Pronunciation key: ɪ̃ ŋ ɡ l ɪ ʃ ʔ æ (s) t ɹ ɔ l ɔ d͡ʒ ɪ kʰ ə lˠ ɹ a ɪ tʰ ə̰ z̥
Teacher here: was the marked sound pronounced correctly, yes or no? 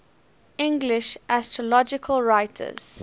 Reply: yes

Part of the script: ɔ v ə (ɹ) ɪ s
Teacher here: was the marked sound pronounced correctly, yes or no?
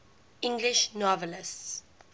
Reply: no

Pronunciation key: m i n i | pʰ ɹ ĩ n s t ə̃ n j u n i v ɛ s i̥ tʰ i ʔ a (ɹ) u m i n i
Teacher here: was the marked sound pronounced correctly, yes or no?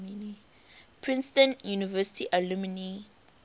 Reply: no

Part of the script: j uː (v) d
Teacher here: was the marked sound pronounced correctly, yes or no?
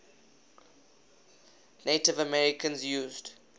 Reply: no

